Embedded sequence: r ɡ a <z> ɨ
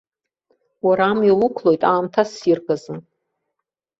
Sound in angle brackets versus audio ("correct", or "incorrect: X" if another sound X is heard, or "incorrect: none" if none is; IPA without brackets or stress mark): correct